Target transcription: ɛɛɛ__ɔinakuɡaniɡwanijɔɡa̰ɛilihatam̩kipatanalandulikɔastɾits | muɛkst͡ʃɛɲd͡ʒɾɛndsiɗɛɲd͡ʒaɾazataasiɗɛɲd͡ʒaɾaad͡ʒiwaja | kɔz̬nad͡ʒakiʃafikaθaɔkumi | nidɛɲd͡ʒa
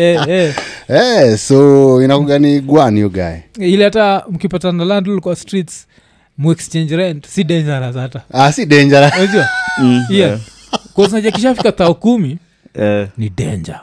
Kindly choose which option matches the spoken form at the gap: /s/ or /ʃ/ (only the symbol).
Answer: s